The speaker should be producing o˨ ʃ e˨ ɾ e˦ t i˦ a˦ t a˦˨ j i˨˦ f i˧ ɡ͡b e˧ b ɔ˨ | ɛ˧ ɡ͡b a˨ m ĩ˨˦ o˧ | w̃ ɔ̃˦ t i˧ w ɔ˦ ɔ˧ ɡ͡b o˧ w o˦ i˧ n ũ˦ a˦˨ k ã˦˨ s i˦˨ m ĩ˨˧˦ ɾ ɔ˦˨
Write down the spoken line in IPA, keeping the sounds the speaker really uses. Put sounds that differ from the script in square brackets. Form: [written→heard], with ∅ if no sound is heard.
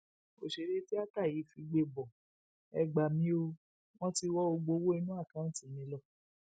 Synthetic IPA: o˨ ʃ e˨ ɾ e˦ t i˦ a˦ t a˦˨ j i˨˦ f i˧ ɡ͡b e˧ b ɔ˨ | ɛ˧ ɡ͡b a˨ m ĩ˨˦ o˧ | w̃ ɔ̃˦ t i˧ w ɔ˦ [ɔ˧→o˧] ɡ͡b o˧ w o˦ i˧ n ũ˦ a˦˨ k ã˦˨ [s→t] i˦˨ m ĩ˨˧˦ [ɾ→l] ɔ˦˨